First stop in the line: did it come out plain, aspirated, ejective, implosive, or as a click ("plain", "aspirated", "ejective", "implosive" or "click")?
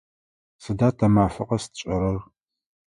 plain